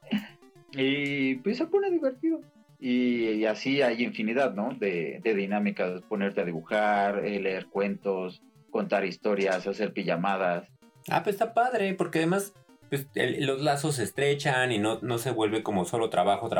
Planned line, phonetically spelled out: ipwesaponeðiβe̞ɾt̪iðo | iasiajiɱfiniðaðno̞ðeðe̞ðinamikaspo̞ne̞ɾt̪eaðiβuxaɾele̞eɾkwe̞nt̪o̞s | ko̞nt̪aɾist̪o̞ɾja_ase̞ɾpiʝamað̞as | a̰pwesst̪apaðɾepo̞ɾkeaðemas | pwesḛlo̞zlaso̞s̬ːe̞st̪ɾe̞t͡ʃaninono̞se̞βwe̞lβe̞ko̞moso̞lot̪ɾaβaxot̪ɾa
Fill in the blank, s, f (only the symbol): s